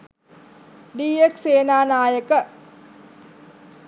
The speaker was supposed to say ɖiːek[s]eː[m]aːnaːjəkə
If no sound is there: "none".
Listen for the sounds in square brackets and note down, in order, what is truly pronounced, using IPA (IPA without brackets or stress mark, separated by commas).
s, n